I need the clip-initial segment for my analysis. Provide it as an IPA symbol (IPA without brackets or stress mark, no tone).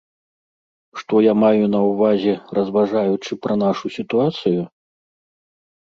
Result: ʂ